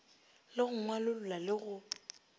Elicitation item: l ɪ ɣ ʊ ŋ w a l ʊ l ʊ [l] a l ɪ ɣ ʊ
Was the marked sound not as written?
no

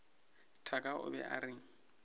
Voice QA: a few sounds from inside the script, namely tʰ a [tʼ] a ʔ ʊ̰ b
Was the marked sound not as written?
yes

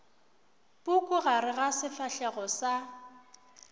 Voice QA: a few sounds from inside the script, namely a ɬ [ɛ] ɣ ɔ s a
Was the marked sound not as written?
no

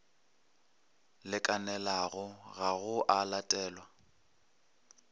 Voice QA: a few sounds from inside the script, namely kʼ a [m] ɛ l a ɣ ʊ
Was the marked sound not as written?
yes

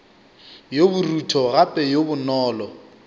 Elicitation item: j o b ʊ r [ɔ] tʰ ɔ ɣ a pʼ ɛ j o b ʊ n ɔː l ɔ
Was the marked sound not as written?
yes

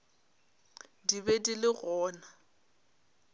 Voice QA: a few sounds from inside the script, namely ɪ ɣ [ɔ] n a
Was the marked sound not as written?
yes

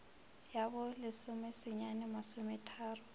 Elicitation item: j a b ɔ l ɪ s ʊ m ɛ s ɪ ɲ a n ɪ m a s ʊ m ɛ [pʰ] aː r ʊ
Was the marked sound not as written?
yes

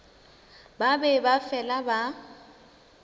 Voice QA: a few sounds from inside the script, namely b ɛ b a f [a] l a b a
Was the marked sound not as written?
yes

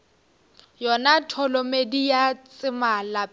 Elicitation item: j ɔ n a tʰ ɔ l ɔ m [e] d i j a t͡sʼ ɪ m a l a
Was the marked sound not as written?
no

